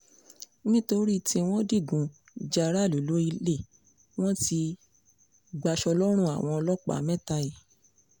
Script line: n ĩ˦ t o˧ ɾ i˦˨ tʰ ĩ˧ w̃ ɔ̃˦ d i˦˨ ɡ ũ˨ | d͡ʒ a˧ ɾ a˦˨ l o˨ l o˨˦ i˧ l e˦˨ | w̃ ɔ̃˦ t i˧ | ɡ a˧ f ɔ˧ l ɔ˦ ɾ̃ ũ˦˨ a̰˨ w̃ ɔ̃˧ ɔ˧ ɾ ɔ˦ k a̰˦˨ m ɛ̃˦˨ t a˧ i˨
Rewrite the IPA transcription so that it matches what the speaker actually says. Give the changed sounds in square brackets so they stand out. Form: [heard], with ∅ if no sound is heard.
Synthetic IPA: n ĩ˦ t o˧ ɾ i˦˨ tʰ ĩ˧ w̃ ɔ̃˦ d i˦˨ ɡ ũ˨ | d͡ʒ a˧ ɾ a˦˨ l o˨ l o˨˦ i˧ l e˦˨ | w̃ ɔ̃˦ t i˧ | [ɡ͡b] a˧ [ʃ] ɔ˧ l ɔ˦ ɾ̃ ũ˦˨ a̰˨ w̃ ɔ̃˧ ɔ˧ [l] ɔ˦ [k͡p] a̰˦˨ m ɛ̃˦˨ t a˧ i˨